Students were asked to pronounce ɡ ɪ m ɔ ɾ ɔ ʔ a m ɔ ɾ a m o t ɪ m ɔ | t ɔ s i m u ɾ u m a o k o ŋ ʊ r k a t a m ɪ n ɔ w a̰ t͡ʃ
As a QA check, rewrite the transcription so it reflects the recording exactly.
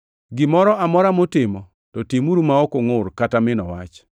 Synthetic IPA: ɡ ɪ m ɔ ɾ ɔ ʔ a m ɔ ɾ a m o t ɪ m ɔ | t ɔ t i m u ɾ u m a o k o ŋ ʊ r k a t a m ɪ n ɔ w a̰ t͡ʃ